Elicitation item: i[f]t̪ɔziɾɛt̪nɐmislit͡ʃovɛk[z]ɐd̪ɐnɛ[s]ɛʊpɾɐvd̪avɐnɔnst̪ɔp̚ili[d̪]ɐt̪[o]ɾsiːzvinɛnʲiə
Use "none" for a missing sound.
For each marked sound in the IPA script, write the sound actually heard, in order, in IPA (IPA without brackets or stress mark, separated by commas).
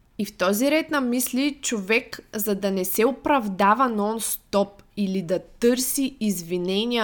f, z, s, d̪, ɤ